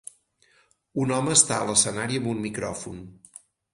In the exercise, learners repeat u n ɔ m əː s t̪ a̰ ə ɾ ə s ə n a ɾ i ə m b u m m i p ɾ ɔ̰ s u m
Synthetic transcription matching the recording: u n ɔ m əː s t̪ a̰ ə l ə s ə n a ɾ i ə m b u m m i k ɾ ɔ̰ f u n

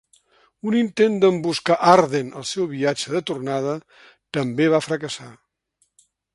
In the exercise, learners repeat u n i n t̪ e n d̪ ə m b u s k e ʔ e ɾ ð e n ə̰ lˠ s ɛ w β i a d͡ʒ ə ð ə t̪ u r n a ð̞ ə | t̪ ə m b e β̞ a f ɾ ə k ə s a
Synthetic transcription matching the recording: u n i n t̪ e n d̪ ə m b u s k a ʔ a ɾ ð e n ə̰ lˠ s ɛ w β i a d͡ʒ ə ð ə t̪ u r n a ð̞ ə | t̪ ə m b e β̞ a f ɾ ə k ə s a

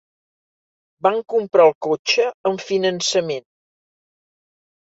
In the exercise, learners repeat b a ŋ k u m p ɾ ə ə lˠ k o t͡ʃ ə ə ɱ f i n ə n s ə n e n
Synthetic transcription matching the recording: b a ŋ k u m p ɾ a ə lˠ k o t͡ʃ ə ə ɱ f i n ə n s ə m e n

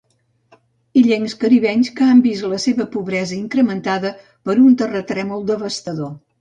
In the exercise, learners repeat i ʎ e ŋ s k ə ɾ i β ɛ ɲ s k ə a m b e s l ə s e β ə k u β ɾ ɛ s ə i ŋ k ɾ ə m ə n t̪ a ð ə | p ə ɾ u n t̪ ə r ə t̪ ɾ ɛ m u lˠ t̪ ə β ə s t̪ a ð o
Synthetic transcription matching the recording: i ʎ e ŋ s k ə ɾ i β ɛ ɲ s k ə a m b i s l ə s e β ə p u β ɾ ɛ z ə i ŋ k ɾ ə m ə n t̪ a ð ə | p ə ɾ u n t̪ ə r ə t̪ ɾ ɛ m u lˠ d̪ ə β ə s t̪ ə ð o

